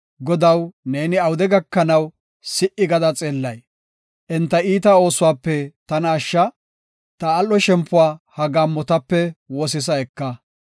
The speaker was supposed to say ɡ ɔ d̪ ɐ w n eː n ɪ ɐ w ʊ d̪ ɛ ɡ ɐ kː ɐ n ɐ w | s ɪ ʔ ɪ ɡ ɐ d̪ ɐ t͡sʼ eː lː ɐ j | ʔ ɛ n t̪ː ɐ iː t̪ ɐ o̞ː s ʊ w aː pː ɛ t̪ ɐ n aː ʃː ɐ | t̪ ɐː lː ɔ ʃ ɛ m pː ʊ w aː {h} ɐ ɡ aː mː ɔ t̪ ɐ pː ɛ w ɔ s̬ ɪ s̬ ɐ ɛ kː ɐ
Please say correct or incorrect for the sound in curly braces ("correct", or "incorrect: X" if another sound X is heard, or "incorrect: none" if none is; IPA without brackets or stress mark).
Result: correct